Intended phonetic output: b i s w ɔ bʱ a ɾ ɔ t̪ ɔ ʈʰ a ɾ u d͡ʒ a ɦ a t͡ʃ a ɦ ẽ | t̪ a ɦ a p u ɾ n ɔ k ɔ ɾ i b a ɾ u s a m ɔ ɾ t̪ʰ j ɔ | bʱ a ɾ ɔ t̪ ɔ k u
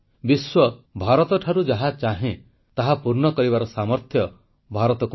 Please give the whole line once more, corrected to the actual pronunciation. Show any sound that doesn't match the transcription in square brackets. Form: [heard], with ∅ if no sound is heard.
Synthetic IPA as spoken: b i s w ɔ bʱ a ɾ ɔ t̪ ɔ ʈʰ a ɾ u d͡ʒ a ɦ a t͡ʃ a ɦ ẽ | t̪ a ɦ a p u ɾ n ɔ k ɔ ɾ i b a ɾ [ɔ] s a m ɔ ɾ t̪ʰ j ɔ | bʱ a ɾ ɔ t̪ ɔ k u